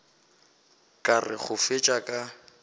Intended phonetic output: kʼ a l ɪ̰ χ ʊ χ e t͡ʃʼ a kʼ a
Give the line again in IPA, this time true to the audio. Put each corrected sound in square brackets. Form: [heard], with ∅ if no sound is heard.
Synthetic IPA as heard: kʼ a [r] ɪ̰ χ ʊ [f] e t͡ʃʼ a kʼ a